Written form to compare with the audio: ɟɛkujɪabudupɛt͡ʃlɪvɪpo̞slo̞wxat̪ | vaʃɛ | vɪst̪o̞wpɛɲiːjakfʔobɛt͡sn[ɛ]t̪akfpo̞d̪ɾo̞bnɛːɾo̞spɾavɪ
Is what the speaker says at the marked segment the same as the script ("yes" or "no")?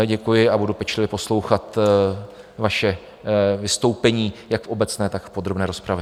no